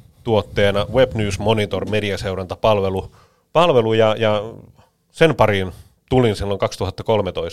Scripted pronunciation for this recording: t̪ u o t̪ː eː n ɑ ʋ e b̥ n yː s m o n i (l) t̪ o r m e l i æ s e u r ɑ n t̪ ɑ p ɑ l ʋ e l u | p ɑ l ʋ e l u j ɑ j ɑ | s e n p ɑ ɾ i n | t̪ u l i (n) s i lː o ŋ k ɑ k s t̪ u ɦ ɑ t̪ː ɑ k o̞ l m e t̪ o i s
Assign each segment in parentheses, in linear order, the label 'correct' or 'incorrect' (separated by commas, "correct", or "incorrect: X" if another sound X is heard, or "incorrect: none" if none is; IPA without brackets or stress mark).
incorrect: none, correct